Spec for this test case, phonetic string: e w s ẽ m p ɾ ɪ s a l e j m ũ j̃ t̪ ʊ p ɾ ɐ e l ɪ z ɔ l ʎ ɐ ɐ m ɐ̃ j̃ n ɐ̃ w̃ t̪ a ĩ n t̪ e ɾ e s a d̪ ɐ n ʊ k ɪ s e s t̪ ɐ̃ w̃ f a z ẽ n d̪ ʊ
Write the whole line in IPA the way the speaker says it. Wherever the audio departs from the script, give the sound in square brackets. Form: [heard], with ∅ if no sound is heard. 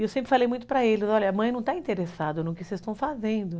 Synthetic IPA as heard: e w s ẽ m p ɾ ɪ [f] a l e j m ũ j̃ t̪ ʊ p ɾ ɐ e l ɪ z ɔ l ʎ ɐ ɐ m ɐ̃ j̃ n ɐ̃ w̃ t̪ a ĩ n t̪ e ɾ e s a d̪ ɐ n ʊ k ɪ s e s t̪ ɐ̃ w̃ f a z ẽ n d̪ ʊ